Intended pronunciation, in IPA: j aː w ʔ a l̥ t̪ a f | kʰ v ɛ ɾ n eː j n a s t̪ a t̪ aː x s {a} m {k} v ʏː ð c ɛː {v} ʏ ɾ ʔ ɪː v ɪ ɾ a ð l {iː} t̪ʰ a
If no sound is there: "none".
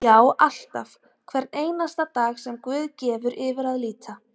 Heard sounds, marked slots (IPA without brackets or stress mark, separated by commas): ɛ, k, v, iː